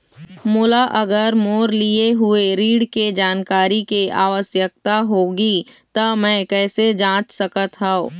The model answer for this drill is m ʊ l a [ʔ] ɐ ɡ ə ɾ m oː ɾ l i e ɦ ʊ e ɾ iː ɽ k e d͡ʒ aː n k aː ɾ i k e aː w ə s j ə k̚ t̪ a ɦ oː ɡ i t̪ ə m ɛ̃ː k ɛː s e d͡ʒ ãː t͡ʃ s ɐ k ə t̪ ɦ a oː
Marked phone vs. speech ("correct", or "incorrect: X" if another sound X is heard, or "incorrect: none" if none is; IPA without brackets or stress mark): correct